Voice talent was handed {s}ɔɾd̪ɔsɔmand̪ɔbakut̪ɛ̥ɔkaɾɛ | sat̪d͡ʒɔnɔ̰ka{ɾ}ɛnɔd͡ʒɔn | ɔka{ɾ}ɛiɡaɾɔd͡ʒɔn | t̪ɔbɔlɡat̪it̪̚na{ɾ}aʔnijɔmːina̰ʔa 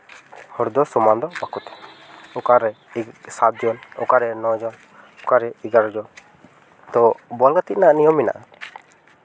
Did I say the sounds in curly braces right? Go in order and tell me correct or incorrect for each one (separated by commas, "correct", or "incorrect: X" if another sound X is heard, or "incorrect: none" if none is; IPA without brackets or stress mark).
incorrect: h, correct, correct, incorrect: none